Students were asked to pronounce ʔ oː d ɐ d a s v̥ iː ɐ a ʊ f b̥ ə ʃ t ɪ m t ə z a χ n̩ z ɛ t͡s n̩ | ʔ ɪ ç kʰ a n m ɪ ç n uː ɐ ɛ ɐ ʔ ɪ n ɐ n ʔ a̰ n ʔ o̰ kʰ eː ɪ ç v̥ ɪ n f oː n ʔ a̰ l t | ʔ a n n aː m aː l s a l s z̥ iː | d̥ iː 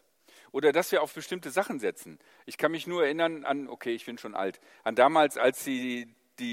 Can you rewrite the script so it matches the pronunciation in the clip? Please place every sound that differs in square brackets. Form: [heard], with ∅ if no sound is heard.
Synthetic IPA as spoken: ʔ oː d ɐ d a s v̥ iː ɐ a ʊ f b̥ ə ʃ t ɪ m t ə z a χ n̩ z ɛ t͡s n̩ | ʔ ɪ ç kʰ a n m ɪ ç n uː ɐ ɛ ɐ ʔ ɪ n ɐ n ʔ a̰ n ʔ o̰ kʰ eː ɪ ç [b̥] ɪ n [ʃ] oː n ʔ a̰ l t | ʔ a n [d] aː m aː l s a l s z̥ iː | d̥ iː